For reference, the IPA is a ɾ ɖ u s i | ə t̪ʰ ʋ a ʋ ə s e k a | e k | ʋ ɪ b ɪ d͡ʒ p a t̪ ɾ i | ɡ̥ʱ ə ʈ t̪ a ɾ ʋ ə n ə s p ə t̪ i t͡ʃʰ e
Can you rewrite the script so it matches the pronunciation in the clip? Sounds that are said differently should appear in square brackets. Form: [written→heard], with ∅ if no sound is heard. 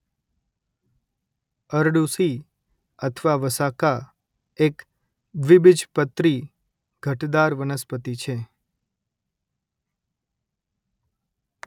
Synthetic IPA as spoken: [a→ə] ɾ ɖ u s i | ə t̪ʰ ʋ a ʋ ə s [e→a] k a | e k | ʋ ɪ b ɪ d͡ʒ p [a→ə] t̪ ɾ i | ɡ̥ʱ ə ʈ [t̪→d̪] a ɾ ʋ ə n ə s p ə t̪ i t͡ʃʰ e